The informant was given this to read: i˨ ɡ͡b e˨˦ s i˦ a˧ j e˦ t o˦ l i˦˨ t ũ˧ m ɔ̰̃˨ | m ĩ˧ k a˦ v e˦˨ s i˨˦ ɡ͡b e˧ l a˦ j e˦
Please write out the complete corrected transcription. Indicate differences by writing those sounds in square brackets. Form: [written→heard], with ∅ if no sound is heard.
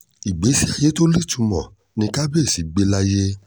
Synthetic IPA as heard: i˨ ɡ͡b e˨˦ s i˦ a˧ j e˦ t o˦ l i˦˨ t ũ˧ m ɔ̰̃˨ | [m→n] ĩ˧ k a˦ [v→b] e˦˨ s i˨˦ ɡ͡b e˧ l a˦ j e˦